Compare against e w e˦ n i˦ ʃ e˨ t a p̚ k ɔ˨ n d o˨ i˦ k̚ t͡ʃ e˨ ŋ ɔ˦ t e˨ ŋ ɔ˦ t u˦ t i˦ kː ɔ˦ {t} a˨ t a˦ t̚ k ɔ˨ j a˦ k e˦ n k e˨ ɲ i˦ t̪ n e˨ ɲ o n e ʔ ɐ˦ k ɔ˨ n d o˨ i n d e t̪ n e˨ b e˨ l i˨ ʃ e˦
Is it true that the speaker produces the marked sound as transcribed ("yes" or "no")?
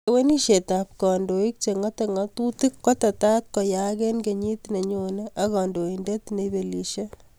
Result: yes